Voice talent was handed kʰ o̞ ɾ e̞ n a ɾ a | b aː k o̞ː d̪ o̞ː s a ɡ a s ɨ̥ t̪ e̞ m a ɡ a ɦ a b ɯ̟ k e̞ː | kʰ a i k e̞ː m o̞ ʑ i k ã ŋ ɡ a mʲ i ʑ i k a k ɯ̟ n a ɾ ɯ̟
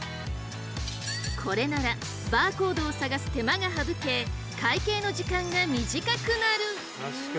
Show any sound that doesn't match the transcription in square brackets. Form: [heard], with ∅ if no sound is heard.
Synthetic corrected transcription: kʰ o̞ ɾ e̞ n a ɾ a | b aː k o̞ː d̪ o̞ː s a ɡ a s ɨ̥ t̪ e̞ m a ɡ a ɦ a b ɯ̟ k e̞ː | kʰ a i k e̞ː [n] o̞ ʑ i k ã ŋ ɡ a mʲ i ʑ i k a k ɯ̟ n a ɾ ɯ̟